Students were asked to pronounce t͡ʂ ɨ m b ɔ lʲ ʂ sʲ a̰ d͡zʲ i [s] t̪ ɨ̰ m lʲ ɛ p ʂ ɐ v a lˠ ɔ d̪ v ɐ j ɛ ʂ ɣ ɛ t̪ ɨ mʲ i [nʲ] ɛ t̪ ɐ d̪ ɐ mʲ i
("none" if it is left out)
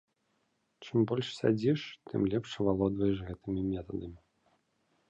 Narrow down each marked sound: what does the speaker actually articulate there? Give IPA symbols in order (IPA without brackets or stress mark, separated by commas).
ʂ, mʲ